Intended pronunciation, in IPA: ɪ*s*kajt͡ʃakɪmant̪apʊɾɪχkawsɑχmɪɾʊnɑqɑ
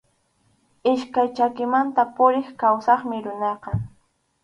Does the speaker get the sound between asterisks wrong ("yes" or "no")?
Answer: yes